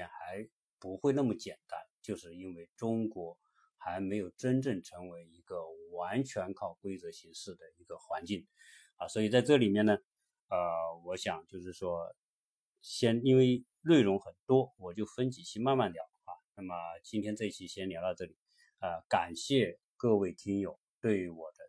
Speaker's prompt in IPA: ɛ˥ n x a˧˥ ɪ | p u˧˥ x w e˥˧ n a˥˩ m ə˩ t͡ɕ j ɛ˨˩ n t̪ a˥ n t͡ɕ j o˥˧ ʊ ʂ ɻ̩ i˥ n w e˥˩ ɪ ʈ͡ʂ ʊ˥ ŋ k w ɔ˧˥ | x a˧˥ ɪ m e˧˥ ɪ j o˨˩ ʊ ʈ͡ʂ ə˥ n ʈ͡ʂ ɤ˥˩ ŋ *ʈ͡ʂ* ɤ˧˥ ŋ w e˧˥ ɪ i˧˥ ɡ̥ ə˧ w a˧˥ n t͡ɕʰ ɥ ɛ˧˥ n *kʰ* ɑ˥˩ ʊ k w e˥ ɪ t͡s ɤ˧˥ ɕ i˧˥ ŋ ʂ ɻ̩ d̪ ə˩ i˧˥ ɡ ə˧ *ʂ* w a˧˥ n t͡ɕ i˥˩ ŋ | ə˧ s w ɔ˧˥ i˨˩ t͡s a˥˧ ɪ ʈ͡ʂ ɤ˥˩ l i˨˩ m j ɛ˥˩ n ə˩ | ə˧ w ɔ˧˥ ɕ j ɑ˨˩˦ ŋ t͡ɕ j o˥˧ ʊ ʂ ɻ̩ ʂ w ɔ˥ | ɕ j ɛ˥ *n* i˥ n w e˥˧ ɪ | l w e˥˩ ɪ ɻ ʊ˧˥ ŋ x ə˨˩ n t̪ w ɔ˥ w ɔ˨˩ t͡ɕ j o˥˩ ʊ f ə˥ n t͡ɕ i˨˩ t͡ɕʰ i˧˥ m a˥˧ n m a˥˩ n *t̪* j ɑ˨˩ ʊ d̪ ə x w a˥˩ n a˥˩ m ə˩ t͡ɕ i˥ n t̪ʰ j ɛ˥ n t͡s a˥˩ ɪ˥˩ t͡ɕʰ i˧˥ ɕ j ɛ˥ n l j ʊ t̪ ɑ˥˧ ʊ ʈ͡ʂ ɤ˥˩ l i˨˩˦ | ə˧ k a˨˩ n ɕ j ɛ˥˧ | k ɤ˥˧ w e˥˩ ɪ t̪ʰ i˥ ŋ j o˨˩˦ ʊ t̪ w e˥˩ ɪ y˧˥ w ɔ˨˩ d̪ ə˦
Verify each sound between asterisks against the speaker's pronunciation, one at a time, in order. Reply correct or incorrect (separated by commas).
incorrect, correct, incorrect, correct, correct